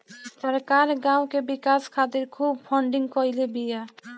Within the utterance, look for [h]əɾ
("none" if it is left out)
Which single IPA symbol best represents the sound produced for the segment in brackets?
s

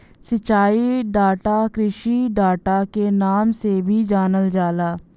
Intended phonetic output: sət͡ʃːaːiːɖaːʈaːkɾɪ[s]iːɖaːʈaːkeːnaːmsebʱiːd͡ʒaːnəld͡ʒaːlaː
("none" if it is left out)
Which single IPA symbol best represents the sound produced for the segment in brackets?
ʃ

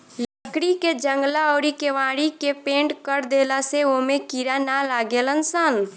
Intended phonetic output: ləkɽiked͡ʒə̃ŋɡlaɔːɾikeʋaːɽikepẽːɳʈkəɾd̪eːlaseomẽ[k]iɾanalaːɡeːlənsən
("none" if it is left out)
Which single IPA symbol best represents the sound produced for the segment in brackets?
k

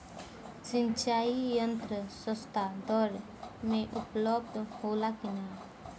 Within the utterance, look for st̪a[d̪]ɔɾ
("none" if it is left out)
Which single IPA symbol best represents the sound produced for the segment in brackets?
d̪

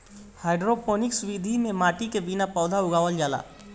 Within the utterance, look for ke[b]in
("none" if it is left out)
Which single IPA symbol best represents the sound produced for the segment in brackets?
b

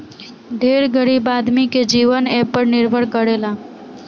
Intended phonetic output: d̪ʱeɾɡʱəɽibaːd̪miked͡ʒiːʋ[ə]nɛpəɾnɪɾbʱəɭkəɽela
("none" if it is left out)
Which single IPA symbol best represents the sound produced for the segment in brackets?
ə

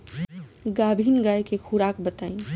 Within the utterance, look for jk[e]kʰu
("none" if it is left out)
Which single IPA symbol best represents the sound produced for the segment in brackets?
e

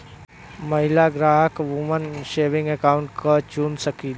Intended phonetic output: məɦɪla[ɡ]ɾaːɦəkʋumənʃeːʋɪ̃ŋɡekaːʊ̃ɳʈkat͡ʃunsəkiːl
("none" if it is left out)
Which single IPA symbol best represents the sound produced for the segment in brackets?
ɡ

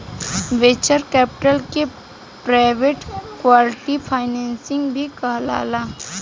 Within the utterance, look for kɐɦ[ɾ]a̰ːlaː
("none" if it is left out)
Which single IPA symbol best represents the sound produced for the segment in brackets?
l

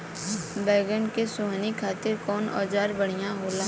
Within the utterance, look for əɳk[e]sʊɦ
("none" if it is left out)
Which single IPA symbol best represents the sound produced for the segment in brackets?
e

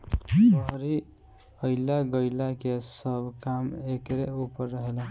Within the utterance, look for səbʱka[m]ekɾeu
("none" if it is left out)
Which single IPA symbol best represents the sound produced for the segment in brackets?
m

